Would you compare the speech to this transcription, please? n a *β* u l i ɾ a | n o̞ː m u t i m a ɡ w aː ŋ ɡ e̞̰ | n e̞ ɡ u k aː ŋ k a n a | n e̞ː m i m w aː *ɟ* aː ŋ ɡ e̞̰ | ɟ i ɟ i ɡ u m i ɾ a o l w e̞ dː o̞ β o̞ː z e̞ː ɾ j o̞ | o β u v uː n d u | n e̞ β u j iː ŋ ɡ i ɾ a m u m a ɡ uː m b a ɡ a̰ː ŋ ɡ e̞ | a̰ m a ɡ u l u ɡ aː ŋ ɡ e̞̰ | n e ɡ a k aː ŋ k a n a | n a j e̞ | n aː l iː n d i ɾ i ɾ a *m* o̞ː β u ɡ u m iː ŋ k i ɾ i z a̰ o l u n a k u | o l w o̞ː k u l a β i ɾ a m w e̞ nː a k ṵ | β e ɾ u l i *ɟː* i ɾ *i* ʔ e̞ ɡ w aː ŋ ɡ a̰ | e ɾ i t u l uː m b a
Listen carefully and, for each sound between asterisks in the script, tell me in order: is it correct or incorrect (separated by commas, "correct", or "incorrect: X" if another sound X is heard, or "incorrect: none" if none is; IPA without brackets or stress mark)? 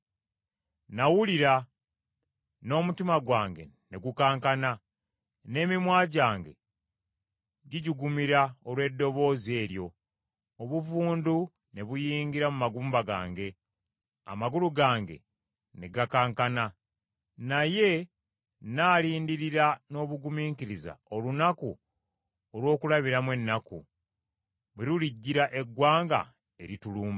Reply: incorrect: w, correct, incorrect: n, correct, incorrect: a